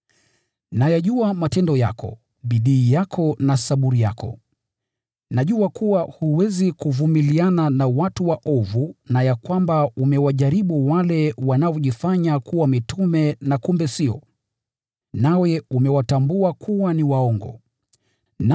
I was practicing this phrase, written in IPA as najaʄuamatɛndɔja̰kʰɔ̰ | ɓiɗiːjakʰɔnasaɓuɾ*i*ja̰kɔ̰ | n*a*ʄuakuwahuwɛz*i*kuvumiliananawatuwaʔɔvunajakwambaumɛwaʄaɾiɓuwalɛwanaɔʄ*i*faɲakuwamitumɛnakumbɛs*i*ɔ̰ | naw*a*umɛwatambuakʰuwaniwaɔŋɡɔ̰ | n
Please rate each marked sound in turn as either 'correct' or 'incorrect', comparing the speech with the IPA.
correct, correct, correct, correct, correct, incorrect

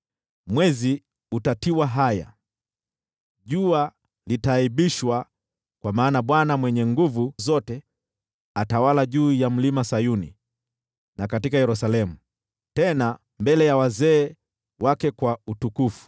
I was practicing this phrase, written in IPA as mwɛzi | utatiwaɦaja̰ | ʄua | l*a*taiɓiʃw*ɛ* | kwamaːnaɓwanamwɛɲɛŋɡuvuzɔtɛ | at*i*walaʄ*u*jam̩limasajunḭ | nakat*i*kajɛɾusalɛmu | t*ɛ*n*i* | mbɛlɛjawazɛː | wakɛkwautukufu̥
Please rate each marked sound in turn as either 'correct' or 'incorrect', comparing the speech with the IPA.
incorrect, incorrect, incorrect, incorrect, correct, correct, incorrect

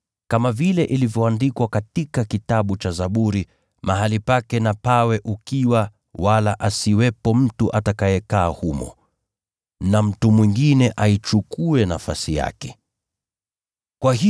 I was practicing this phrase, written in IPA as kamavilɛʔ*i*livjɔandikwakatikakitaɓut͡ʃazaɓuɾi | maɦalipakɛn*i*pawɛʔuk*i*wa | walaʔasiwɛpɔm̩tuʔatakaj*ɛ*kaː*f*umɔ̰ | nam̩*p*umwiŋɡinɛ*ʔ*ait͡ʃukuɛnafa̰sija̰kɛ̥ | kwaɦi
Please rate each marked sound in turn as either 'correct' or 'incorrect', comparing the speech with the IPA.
correct, incorrect, correct, correct, incorrect, incorrect, correct

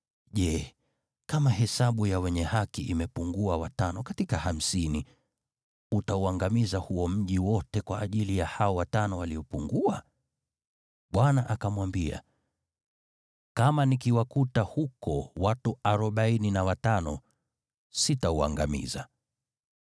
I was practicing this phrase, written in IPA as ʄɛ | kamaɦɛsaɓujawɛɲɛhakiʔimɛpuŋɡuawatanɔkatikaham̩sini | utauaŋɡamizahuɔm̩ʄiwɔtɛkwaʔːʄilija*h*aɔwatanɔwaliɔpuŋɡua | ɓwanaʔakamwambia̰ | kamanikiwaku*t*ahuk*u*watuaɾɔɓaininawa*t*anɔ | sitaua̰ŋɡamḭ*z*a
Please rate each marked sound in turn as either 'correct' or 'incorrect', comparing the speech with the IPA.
correct, correct, incorrect, correct, correct

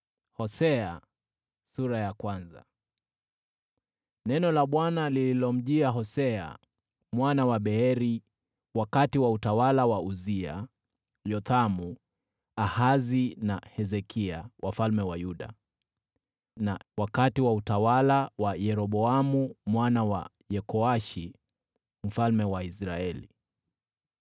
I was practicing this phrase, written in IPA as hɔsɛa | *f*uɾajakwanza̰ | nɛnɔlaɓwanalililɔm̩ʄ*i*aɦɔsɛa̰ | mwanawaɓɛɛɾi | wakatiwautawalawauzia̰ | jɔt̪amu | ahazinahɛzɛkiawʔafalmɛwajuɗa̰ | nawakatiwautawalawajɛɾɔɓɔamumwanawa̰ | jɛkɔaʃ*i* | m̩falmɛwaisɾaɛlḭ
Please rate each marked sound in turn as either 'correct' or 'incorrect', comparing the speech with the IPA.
incorrect, correct, correct

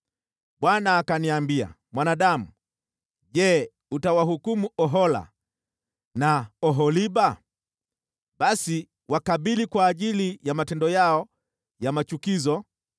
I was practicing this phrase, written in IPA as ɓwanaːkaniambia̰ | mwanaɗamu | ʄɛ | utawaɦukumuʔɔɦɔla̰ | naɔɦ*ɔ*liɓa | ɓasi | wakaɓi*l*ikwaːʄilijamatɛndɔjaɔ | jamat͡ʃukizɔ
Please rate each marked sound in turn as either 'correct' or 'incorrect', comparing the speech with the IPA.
correct, correct

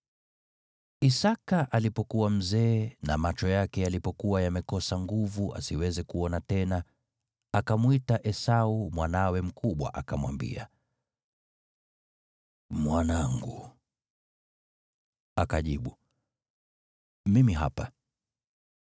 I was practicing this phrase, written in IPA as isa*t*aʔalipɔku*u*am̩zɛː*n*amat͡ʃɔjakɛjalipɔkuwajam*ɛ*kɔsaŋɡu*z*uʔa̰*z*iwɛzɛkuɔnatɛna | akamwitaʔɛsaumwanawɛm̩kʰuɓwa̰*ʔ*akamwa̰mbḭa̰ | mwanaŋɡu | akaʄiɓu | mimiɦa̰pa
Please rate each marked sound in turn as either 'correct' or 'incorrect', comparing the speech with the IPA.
incorrect, incorrect, correct, correct, incorrect, incorrect, correct

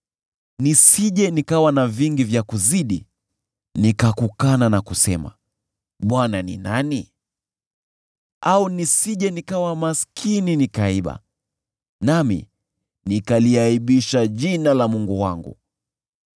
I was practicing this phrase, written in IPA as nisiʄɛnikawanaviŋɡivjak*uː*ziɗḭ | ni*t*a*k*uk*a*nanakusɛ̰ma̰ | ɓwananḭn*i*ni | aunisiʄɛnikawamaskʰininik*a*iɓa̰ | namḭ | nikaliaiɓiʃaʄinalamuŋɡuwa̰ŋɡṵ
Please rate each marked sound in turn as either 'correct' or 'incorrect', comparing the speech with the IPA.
incorrect, incorrect, correct, correct, incorrect, correct

